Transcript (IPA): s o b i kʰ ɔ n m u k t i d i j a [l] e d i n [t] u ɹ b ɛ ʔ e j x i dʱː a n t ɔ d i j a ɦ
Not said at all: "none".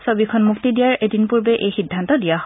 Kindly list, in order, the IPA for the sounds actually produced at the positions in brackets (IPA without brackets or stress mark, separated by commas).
ɹ, p